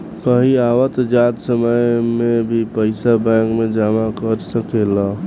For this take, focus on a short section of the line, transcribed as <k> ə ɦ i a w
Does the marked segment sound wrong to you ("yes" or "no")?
no